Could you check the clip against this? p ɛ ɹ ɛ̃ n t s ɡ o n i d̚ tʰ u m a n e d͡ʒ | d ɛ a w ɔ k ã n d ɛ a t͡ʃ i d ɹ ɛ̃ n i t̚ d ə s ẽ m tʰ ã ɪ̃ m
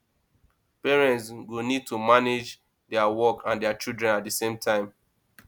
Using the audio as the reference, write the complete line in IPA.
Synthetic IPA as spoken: p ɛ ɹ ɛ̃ n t s ɡ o n i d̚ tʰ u m a n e d͡ʒ | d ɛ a w ɔ k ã n d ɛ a t͡ʃ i d ɹ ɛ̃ n a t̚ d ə s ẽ m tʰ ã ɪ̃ m